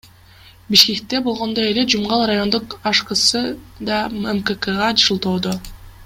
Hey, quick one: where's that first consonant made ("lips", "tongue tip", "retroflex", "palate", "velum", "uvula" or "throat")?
lips